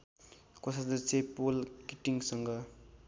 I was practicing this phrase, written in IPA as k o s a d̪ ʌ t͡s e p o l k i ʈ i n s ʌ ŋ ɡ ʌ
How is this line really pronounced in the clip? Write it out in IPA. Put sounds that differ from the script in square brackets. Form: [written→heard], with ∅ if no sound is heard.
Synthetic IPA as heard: k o s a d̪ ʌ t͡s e p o l k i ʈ i [n→ŋ] s ʌ ŋ ɡ ʌ